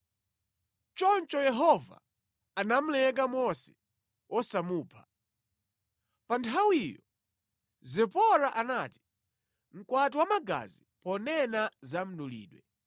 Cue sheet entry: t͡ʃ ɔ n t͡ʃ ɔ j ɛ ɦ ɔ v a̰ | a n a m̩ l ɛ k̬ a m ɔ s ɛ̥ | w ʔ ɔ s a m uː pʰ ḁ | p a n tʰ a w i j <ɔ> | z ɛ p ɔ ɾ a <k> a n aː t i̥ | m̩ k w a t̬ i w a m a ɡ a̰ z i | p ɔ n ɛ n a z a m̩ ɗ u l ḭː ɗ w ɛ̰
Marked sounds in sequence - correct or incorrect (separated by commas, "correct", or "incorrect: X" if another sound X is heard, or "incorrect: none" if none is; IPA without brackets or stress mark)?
correct, incorrect: ʔ